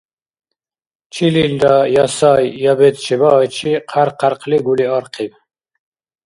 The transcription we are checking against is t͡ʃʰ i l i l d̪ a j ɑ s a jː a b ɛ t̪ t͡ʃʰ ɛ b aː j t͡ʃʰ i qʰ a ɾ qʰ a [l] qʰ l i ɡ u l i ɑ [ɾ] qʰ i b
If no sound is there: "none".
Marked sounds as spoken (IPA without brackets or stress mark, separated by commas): ɾ, ɾ